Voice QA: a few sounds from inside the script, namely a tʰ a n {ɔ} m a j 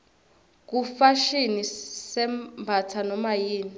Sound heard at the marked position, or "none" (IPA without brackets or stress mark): ɔ